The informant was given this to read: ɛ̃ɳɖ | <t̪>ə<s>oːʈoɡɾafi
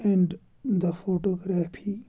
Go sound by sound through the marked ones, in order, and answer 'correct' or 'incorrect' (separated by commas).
incorrect, incorrect